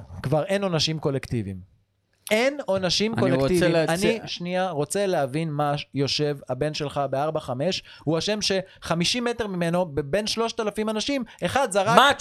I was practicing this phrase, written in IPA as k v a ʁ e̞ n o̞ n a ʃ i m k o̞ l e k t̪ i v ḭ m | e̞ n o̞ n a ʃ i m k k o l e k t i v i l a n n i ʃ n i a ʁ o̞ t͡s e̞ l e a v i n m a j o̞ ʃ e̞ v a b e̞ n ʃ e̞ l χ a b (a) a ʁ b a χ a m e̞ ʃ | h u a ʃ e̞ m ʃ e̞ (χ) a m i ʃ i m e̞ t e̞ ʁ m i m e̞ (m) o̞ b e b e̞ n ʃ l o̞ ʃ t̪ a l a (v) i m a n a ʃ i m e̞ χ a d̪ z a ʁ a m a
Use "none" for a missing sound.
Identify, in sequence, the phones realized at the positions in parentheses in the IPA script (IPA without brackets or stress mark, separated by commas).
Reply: e, χ, n, f